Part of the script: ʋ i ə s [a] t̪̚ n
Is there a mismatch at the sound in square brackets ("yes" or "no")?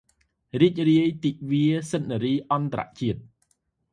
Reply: yes